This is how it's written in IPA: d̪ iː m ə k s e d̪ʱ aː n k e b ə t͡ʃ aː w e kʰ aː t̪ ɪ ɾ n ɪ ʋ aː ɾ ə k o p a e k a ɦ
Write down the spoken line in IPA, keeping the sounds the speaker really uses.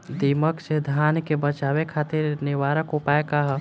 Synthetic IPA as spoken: d̪ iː m ə k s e d̪ʱ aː n k e b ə t͡ʃ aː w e kʰ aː t̪ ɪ ɾ n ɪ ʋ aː ɾ ə k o p a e k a ɦ